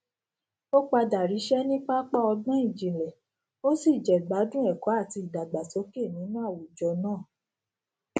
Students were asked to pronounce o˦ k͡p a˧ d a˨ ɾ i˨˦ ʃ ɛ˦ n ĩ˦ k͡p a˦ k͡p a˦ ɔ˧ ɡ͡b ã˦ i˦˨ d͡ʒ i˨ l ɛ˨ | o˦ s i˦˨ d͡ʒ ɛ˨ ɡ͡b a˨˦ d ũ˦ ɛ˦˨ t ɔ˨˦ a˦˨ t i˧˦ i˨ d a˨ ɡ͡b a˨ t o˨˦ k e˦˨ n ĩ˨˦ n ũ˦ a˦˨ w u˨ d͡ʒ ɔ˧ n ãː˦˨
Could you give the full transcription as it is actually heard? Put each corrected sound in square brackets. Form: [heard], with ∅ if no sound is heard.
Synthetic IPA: o˦ k͡p a˧ d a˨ ɾ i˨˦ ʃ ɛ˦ n ĩ˦ k͡p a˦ k͡p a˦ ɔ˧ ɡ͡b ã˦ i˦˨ d͡ʒ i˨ l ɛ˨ | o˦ s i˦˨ d͡ʒ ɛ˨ ɡ͡b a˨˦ d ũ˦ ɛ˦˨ [k] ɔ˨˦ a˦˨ t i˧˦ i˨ d a˨ ɡ͡b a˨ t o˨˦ k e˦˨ n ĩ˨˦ n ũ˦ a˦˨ w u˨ d͡ʒ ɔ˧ n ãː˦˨